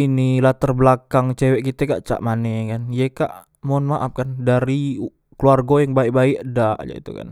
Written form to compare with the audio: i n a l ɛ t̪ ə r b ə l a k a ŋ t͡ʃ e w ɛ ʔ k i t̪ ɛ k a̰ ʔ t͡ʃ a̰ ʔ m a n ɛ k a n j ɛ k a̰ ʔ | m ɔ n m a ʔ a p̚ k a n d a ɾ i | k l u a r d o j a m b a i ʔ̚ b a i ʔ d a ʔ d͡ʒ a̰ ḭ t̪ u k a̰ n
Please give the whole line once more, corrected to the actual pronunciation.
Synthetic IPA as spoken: i n i l a t̪ ə r b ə l a k a ŋ t͡ʃ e w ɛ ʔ k i t̪ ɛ k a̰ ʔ t͡ʃ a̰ ʔ m a n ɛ k a n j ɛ k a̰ ʔ | m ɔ n m a ʔ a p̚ k a n d a ɾ i | k l u a r ɡ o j a ŋ b a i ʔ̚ b a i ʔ d a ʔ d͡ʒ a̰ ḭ t̪ u k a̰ n

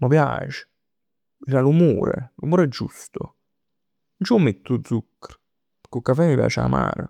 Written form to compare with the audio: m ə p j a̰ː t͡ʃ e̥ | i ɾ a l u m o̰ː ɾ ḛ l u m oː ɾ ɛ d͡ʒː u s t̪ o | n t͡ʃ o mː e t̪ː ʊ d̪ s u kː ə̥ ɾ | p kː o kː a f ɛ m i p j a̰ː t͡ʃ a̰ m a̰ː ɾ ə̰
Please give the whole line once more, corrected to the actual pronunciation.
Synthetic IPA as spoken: m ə p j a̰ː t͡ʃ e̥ | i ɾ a l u m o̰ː ɾ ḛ l u m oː ɾ ɛ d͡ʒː u s t̪ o | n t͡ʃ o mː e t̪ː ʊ d̪ z u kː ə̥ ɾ | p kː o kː a f ɛ m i p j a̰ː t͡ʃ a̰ m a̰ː ɾ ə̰

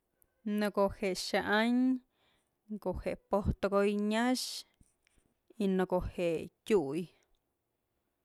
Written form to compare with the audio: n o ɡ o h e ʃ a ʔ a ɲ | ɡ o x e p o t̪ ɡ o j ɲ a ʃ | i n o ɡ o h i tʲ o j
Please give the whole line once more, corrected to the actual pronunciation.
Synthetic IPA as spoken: n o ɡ o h e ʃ a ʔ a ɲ | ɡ o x e p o t̪ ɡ o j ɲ a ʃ | i n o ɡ o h e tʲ u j

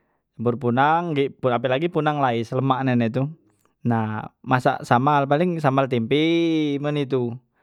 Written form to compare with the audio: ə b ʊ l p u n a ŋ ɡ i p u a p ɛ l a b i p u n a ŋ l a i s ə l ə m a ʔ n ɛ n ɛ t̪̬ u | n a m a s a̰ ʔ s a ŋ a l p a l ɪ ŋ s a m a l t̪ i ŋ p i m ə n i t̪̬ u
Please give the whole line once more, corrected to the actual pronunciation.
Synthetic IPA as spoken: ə b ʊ r p u n a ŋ ɡ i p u a p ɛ l a ɡ i p u n a ŋ l a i s ə l ə m a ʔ n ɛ n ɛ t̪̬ u | n a m a s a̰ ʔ s a m a l p a l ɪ ŋ s a m a l t̪ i m p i m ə n i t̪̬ u

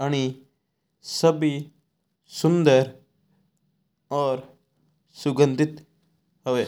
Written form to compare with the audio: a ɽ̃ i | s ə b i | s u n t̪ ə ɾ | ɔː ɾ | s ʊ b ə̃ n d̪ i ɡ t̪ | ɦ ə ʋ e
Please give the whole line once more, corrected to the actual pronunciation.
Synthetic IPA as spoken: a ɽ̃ i | s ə b i | s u n d̪ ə ɾ | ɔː ɾ | s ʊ ɡ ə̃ n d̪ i t̪ | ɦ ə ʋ e

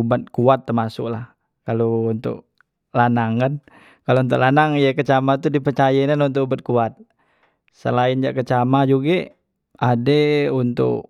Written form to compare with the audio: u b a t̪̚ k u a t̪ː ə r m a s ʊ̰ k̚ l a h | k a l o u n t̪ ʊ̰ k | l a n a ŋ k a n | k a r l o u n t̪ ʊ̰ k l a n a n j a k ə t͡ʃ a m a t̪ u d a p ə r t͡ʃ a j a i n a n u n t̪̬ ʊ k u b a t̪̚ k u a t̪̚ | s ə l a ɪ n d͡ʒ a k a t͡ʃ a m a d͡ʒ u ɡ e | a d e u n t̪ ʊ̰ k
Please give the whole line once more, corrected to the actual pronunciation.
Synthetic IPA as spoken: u b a t̪̚ k u a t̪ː ə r m a s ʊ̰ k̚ l a h | k a l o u n t̪ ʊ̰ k | l a n a ŋ k a n | k a l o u n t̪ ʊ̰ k l a n a ŋ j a k ə t͡ʃ a m a t̪ u d i p ə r t͡ʃ a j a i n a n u n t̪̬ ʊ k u b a t̪̚ k u a t̪̚ | s ə l a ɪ n d͡ʒ a k ə t͡ʃ a m a d͡ʒ u ɡ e | a d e u n t̪ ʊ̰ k

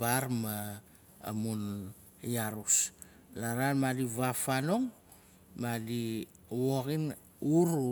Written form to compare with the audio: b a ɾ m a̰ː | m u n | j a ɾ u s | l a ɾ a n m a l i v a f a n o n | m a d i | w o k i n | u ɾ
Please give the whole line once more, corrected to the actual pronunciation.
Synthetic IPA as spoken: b a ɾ m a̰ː | m u n | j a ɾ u s | l a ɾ a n m a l i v a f a n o ŋ | m a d i | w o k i n | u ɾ

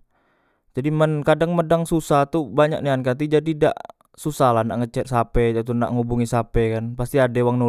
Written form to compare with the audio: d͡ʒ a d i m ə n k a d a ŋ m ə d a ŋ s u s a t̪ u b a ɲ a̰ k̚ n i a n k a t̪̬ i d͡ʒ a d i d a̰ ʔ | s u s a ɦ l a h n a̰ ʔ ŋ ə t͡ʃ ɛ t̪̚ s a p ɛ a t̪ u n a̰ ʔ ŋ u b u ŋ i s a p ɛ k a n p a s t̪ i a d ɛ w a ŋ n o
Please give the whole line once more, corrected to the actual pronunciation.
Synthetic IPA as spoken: d͡ʒ a d i m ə n k a d a ŋ m ə d a ŋ s u s a t̪ u b a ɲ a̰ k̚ n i a n k a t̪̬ i d͡ʒ a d i d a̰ ʔ | s u s a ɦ l a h n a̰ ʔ ŋ ə t͡ʃ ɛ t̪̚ s a p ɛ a t̪ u n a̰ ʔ ŋ u b u ŋ i s a p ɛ k a n p a s t̪ i a d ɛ w a ŋ n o

